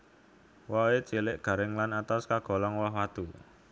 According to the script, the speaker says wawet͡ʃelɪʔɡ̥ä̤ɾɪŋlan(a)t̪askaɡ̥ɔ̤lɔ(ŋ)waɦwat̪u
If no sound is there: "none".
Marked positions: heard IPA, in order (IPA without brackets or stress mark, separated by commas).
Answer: a, ŋ